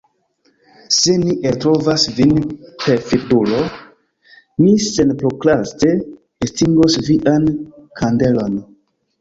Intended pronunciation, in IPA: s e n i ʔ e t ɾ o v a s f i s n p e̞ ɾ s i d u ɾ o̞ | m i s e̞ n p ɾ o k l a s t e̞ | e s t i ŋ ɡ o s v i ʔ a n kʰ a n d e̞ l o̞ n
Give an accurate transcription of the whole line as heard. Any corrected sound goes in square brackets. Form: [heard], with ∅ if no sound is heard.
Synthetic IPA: s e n i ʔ e t ɾ o v a s [v] i [∅] n p e̞ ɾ [f] i d u [l] o̞ | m i s e̞ n p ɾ o k l a s t e̞ | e s t i ŋ ɡ o s v i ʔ a n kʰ a n d e̞ l o̞ n

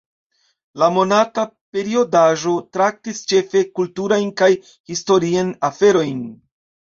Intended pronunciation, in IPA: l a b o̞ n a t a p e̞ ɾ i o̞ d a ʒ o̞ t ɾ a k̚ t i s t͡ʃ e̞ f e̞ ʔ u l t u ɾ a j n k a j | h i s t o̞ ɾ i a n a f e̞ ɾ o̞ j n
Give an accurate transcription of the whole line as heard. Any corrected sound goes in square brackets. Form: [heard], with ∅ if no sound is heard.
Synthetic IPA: l a [m] o̞ n a t a p e̞ ɾ i o̞ d a ʒ o̞ t ɾ a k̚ t i s t͡ʃ e̞ f e̞ [k] u l t u ɾ a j n k a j | h i s t o̞ ɾ i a n a f e̞ ɾ o̞ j n

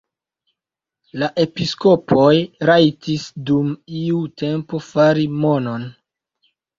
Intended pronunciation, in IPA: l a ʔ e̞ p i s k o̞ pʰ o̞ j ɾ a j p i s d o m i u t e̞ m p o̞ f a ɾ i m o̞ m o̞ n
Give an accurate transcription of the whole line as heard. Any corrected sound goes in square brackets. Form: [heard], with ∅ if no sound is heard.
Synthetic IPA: l a ʔ e̞ p i s k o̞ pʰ o̞ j ɾ a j [t] i s d [u] m i u t e̞ m p o̞ f a ɾ i m o̞ [n] o̞ n

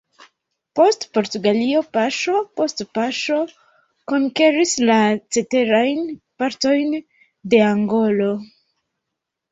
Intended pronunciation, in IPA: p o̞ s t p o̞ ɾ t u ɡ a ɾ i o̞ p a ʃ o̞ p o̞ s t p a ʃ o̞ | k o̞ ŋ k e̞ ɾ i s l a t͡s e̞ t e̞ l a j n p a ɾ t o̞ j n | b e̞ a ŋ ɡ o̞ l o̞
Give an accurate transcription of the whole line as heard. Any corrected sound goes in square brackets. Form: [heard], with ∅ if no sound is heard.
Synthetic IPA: p o̞ s t p o̞ ɾ t u ɡ a [l] i o̞ p a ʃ o̞ p o̞ s t p a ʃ o̞ | k o̞ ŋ k e̞ ɾ i s l a t͡s e̞ t e̞ [ɾ] a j n p a ɾ t o̞ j n | [d] e̞ a ŋ ɡ o̞ l o̞

